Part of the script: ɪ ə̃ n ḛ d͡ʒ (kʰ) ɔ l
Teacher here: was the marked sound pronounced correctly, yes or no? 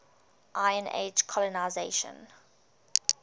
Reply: yes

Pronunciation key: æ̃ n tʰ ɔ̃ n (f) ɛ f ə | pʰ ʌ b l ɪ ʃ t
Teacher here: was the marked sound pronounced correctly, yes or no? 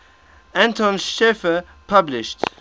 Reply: no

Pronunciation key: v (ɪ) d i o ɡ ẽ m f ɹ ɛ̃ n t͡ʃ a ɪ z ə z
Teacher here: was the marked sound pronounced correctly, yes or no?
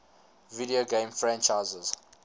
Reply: no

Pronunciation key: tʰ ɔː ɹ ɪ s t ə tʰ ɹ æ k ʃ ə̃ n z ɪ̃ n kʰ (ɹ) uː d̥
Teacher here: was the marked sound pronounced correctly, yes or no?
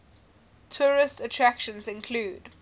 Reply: no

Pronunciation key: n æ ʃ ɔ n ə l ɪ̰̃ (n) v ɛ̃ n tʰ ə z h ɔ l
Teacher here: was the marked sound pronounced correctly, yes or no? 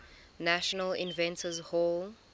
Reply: yes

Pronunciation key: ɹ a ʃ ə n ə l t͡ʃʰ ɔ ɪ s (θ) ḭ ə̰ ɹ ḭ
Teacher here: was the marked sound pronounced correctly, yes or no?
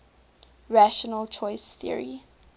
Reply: yes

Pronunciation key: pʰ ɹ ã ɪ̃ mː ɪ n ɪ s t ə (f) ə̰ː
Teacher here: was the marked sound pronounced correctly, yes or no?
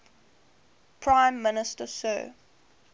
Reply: no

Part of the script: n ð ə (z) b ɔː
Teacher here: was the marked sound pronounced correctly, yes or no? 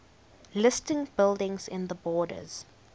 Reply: no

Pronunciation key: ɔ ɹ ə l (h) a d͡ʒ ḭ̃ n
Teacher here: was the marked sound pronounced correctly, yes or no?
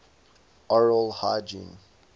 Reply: yes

